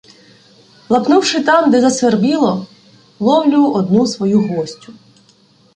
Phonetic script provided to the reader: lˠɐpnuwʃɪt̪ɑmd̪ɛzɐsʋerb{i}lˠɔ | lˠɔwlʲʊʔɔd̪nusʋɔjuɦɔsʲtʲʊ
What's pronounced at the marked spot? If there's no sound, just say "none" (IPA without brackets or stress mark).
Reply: i